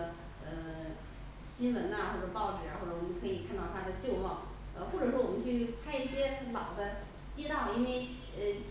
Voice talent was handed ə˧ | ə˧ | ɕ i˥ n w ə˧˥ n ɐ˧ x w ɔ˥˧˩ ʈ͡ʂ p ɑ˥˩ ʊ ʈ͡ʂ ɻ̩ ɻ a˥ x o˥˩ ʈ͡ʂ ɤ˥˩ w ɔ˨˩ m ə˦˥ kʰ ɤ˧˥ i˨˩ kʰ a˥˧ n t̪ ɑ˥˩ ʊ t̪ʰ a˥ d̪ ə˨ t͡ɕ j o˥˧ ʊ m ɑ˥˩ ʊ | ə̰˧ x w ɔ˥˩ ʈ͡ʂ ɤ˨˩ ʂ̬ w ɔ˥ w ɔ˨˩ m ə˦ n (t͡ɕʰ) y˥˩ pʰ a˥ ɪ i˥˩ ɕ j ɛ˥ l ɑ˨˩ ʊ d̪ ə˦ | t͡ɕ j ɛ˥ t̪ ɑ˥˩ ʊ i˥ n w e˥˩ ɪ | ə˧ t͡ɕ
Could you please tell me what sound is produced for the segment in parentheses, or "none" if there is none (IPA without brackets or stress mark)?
t͡ɕʰ